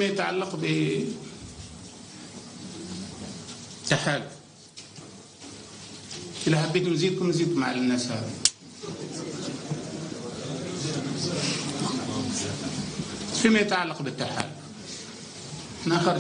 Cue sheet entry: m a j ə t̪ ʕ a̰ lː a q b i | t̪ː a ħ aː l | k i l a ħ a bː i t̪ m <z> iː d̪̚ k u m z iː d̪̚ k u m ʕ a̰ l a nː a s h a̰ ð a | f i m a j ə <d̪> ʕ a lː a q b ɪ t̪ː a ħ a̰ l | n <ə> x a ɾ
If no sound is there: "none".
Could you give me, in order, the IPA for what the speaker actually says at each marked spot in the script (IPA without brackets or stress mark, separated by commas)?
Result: z, t̪, a